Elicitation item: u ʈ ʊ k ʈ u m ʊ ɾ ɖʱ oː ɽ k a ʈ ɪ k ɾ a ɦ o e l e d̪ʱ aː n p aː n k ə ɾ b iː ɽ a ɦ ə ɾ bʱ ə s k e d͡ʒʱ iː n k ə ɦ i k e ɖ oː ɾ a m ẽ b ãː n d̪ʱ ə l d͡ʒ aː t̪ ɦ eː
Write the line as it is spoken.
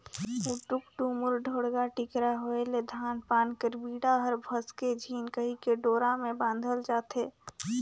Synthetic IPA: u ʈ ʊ k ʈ u m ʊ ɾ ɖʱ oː ɽ ɡ a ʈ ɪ k ɾ a ɦ o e l e d̪ʱ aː n p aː n k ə ɾ b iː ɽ a ɦ ə ɾ bʱ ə s k e d͡ʒʱ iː n k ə ɦ i k e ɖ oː ɾ a m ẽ b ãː n d̪ʱ ə l d͡ʒ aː t̪ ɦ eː